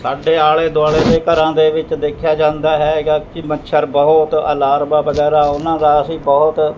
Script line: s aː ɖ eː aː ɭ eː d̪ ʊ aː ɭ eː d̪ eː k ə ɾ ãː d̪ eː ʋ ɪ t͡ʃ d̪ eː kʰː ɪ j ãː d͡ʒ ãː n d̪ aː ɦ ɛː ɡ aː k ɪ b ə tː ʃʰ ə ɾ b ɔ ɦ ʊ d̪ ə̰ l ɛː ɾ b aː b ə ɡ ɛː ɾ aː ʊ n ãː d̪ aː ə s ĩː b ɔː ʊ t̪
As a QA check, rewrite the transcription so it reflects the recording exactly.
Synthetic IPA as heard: s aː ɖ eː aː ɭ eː d̪ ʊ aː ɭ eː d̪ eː k ə ɾ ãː d̪ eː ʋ ɪ t͡ʃ d̪ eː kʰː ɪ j aː d͡ʒ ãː n d̪ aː ɦ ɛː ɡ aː k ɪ m ə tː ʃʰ ə ɾ b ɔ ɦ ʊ t̪ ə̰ l aː ɾ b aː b ə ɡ ɛː ɾ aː ʊ n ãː d̪ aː ə s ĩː b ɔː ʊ t̪